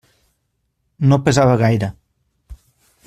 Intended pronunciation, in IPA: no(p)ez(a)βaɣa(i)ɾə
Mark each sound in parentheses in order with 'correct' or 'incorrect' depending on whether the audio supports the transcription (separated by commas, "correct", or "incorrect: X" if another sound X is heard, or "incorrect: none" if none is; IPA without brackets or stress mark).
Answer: correct, correct, incorrect: j